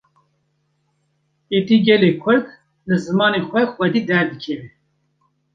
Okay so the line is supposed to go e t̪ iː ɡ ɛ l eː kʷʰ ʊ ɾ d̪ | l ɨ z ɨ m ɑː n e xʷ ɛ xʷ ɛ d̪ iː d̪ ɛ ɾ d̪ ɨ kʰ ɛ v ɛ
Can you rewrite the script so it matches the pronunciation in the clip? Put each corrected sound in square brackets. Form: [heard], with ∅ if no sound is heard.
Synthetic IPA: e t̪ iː ɡ ɛ l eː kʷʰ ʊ ɾ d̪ | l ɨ z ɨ m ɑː n e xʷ ɛ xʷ ɛ d̪ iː d̪ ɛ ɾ d̪ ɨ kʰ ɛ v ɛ